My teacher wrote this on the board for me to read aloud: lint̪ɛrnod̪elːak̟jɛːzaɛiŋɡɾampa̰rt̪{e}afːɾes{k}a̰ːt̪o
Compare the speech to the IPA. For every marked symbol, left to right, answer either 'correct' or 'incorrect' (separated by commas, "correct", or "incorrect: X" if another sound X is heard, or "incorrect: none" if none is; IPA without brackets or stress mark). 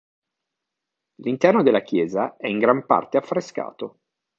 correct, correct